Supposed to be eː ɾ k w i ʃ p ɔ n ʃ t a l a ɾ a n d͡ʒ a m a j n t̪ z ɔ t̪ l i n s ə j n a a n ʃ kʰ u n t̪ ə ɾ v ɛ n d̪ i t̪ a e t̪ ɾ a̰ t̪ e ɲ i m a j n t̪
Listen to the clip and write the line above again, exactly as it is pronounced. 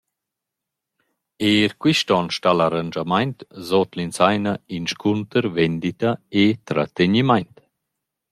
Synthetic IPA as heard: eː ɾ k w i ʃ t ɔ n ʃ t a l a ɾ a n d͡ʒ a m a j n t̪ z ɔ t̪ l i n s a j n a i n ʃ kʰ u n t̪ ə ɾ v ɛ n d̪ i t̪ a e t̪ ɾ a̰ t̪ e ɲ i m a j n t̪